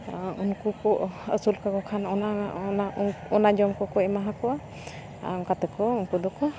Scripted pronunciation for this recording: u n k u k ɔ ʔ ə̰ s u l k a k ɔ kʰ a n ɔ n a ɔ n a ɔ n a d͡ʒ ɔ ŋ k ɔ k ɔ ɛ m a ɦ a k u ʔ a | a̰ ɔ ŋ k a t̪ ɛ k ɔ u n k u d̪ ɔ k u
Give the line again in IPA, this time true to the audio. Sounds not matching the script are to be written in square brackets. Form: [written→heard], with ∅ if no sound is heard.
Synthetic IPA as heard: u n k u k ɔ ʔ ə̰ s u l k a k ɔ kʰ a n ɔ n a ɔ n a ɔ n a d͡ʒ ɔ [ŋ→m] k ɔ k ɔ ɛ m a ɦ a k [u→ɔ] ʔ a | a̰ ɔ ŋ k a t̪ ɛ k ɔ u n k u d̪ ɔ k [u→ɔ]

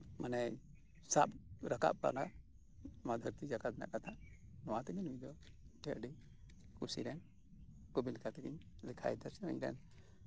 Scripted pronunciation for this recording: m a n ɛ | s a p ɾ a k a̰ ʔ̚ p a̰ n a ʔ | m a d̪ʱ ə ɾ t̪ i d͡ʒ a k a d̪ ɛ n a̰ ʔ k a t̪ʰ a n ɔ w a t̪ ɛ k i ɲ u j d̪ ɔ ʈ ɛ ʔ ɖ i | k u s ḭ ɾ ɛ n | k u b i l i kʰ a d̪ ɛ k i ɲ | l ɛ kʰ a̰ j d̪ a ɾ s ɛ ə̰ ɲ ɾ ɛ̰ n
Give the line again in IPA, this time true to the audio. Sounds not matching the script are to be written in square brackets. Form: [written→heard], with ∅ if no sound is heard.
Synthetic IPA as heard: m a n ɛ | s a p ɾ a k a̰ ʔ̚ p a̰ n a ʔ | m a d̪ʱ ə ɾ t̪ i d͡ʒ a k a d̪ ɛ n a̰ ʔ k a t̪ʰ a n ɔ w a t̪ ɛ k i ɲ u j d̪ ɔ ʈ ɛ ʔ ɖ i | k u s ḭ ɾ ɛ n | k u b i l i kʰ a [d̪→t̪] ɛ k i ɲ | l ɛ kʰ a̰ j d̪ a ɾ s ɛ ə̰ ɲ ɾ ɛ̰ n

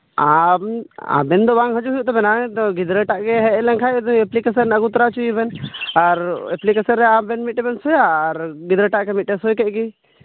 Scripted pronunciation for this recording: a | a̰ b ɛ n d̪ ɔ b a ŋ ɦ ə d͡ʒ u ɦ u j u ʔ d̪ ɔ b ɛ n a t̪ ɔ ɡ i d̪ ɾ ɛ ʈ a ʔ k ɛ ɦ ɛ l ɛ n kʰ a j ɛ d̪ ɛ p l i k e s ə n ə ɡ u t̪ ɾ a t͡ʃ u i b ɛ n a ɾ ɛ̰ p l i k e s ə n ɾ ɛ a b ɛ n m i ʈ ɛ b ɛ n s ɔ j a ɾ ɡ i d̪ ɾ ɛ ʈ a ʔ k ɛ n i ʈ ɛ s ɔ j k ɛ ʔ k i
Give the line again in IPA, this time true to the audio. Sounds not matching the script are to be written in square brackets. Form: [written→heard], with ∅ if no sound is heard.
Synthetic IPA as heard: a | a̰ b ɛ n d̪ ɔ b a ŋ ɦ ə d͡ʒ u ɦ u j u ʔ [d̪→t̪] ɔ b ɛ n a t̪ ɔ ɡ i d̪ ɾ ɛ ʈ a ʔ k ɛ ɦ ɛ l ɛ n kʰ a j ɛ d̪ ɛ p l i k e s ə n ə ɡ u t̪ ɾ a t͡ʃ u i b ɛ n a ɾ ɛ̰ p l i k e s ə n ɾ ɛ a b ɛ n m i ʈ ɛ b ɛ n s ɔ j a ɾ ɡ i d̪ ɾ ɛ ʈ a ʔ k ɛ [n→m] i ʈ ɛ s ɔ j k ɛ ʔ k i

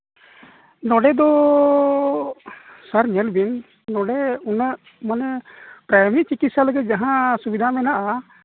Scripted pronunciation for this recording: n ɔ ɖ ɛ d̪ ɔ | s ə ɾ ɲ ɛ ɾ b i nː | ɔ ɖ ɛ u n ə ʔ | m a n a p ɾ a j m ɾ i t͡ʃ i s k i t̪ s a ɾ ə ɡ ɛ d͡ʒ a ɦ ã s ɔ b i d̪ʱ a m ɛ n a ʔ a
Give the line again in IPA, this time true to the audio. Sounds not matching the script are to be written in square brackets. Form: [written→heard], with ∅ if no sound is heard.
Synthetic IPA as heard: n ɔ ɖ ɛ d̪ ɔ | s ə ɾ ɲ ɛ [ɾ→l] b i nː | ɔ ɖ ɛ u n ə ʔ | m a n [a→ɛ] p ɾ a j m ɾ i t͡ʃ i [s→∅] k i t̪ s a [ɾ→l] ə ɡ ɛ d͡ʒ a ɦ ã s [ɔ→u] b i d̪ʱ a m ɛ n a ʔ a

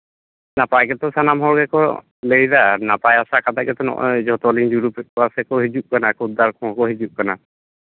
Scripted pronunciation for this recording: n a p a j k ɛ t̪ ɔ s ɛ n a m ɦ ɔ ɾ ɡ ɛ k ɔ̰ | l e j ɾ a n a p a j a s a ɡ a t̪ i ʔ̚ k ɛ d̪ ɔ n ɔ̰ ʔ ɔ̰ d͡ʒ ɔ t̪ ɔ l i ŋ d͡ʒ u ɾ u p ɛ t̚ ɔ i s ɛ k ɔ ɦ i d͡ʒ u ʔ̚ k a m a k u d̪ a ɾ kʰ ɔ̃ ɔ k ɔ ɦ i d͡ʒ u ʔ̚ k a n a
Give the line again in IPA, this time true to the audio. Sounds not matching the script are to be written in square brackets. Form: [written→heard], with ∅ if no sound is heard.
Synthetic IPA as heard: n a p a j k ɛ t̪ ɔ s [ɛ→a] n a m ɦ ɔ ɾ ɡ ɛ k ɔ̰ | l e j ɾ a n a p a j a s a [ɡ→k] a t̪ [i→a] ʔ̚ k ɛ [d̪→t̪] ɔ n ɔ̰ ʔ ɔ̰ d͡ʒ ɔ t̪ ɔ l i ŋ d͡ʒ u ɾ u p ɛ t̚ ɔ [i→a] s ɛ k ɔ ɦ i d͡ʒ u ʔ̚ k a [m→n] a k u d̪ a ɾ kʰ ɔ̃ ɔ k ɔ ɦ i d͡ʒ u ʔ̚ k a n a

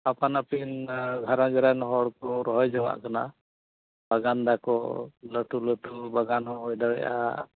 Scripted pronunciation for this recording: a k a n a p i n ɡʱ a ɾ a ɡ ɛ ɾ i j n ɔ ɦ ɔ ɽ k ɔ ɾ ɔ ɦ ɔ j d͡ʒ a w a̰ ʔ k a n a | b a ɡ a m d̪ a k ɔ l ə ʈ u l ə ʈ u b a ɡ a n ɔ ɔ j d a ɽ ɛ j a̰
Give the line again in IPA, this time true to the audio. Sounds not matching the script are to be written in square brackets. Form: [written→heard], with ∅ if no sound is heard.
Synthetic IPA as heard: a [k→p] a n a p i n ɡʱ a ɾ a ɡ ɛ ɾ [i→a] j n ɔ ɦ ɔ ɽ k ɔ ɾ ɔ ɦ ɔ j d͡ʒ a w a̰ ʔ k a n a | b a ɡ a [m→n] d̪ a k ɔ l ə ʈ u l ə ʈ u b a ɡ a n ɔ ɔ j d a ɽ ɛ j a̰

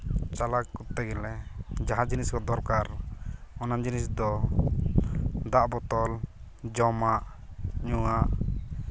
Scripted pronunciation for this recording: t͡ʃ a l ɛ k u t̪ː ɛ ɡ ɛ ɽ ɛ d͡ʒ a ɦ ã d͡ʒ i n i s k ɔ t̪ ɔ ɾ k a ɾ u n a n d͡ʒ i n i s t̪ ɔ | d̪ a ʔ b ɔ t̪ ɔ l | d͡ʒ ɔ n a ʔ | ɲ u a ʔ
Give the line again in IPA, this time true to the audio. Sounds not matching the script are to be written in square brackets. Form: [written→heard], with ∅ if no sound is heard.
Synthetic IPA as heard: t͡ʃ a l [ɛ→a] k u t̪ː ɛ ɡ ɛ [ɽ→l] ɛ d͡ʒ a ɦ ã d͡ʒ i n i s k ɔ [t̪→d̪] ɔ ɾ k a ɾ [u→ɔ] n a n d͡ʒ i n i s [t̪→d̪] ɔ | d̪ a ʔ b ɔ t̪ ɔ l | d͡ʒ ɔ [n→m] a ʔ | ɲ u a ʔ

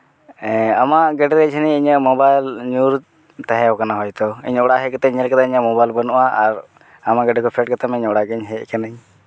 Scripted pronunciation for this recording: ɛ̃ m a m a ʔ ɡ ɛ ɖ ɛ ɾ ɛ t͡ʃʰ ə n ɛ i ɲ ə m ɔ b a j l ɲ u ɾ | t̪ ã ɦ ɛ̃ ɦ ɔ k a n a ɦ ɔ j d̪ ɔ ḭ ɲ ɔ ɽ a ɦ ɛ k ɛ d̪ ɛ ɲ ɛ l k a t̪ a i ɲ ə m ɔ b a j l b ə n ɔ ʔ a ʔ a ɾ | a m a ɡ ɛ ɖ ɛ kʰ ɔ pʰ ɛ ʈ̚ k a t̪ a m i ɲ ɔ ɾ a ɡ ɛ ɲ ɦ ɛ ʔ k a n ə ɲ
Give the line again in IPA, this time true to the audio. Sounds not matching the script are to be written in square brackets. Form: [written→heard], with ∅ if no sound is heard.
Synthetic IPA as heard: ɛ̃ [m→∅] a m a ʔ ɡ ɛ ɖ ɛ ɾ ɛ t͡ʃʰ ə n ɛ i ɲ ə m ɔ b a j l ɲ u ɾ | t̪ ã ɦ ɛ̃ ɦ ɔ k a n a ɦ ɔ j [d̪→t̪] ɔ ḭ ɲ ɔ ɽ a ɦ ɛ k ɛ [d̪→t̪] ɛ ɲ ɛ l k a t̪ a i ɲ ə m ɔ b a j l b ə n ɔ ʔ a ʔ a ɾ | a m a ɡ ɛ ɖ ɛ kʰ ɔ pʰ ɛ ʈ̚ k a t̪ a m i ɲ ɔ [ɾ→ɽ] a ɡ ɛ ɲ ɦ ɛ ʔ k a n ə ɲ

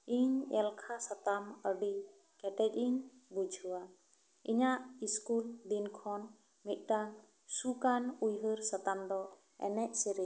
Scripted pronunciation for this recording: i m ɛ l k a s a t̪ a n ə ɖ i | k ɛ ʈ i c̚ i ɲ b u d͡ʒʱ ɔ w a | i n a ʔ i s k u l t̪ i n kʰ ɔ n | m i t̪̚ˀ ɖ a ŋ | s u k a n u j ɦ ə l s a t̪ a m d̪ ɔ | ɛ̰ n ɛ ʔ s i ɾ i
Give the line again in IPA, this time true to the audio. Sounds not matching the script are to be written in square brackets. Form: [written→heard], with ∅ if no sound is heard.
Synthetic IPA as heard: i [m→ɲ] ɛ l [k→kʰ] a s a t̪ a [n→m] ə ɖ i | k ɛ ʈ [i→ɛ] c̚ i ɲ b u d͡ʒʱ [ɔ→u] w a | i [n→ɲ] a ʔ i s k u l [t̪→d̪] i n kʰ ɔ n | m i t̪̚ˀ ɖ a ŋ | s u k a n u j ɦ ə [l→ɾ] s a t̪ a m d̪ ɔ | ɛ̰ n ɛ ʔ s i ɾ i

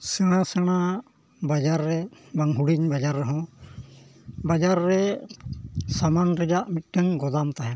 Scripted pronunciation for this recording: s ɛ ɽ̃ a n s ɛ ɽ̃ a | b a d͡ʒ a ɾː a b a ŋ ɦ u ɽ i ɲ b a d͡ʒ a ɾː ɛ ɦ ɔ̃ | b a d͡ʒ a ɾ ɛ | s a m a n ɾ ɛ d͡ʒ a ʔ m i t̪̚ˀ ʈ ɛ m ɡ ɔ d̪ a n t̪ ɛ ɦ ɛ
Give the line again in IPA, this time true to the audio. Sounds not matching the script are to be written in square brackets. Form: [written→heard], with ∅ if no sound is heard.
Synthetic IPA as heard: s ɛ ɽ̃ a [n→∅] s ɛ ɽ̃ a | b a d͡ʒ a ɾː [a→ɛ] b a ŋ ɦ u ɽ i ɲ b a d͡ʒ a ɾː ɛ ɦ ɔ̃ | b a d͡ʒ a [ɾ→ɾː] ɛ | s a m a n ɾ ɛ d͡ʒ a ʔ m i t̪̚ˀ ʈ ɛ [m→ŋ] ɡ ɔ d̪ a [n→m] t̪ [ɛ→a] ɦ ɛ

